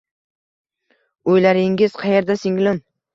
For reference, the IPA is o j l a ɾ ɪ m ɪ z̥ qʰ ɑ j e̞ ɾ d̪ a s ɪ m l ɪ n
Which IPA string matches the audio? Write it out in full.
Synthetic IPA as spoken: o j l a ɾ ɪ ŋ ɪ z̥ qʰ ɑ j e̞ ɾ d̪ a s ɪ ŋ l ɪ n